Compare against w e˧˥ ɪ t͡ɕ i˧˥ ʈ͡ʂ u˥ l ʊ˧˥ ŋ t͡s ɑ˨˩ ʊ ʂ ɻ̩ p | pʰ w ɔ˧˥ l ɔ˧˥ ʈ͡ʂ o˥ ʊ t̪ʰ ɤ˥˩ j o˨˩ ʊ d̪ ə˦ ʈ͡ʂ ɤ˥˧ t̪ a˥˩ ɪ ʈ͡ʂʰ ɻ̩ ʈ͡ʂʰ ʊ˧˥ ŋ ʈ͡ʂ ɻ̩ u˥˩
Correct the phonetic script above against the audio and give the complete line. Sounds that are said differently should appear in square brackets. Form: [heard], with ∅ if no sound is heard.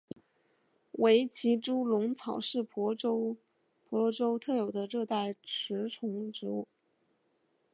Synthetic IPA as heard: w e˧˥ ɪ [t͡ɕʰ] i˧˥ ʈ͡ʂ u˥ l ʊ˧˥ ŋ [t͡sʰ] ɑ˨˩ ʊ ʂ ɻ̩ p | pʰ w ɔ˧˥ l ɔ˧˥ ʈ͡ʂ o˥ ʊ t̪ʰ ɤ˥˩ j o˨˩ ʊ d̪ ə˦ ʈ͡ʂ ɤ˥˧ t̪ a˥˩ ɪ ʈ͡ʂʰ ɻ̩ ʈ͡ʂʰ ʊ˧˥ ŋ ʈ͡ʂ ɻ̩ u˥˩